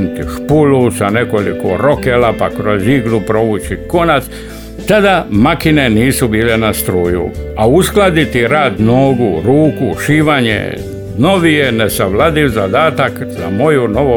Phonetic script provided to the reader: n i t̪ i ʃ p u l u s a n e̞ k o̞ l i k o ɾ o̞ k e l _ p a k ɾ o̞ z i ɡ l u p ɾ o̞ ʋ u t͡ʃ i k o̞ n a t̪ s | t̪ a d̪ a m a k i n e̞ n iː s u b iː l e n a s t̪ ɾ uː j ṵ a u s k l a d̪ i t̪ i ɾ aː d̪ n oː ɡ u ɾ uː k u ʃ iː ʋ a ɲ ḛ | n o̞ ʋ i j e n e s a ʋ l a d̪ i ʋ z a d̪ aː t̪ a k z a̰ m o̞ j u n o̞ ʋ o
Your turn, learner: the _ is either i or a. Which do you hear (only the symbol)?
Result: a